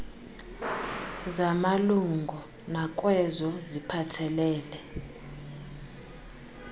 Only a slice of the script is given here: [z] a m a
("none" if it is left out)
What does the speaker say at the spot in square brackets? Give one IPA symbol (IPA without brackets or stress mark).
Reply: z